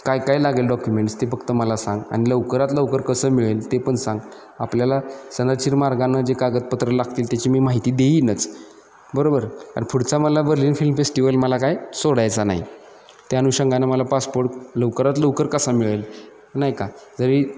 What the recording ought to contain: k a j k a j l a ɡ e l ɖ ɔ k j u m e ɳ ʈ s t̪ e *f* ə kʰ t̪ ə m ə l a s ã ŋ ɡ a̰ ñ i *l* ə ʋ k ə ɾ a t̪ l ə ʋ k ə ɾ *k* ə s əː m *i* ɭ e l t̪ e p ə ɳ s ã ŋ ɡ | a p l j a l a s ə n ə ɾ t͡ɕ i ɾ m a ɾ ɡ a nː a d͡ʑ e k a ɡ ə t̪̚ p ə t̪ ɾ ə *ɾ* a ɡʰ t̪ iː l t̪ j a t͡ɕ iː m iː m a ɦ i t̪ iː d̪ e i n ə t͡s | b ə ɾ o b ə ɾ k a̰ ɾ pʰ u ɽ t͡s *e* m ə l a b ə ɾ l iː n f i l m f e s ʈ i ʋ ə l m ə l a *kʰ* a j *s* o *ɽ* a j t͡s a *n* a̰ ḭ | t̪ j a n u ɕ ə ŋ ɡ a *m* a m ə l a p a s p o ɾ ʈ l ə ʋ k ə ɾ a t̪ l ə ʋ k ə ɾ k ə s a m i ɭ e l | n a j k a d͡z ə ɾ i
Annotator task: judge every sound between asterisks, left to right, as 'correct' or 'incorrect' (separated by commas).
correct, correct, correct, correct, incorrect, incorrect, incorrect, correct, correct, correct, incorrect